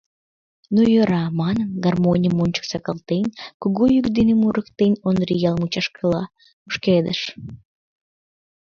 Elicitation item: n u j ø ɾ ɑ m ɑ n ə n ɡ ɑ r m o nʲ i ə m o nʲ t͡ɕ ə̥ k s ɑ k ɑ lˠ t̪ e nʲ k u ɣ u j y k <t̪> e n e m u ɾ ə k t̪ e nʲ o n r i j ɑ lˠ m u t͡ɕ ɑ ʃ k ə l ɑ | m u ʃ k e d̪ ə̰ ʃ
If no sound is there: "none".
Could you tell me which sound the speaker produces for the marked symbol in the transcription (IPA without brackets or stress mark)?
d̪